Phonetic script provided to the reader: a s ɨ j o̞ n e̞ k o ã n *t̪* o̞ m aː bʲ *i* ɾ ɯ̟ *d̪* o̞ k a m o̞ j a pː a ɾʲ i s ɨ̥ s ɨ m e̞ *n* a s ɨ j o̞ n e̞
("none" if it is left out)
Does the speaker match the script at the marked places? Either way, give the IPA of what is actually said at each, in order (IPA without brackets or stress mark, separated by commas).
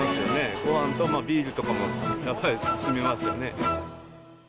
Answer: t̪, iː, t̪, m